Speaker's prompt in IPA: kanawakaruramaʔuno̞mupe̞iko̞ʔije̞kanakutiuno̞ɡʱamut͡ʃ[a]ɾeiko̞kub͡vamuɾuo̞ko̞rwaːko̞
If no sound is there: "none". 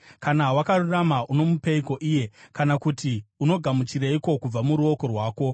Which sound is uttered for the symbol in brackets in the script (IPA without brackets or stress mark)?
i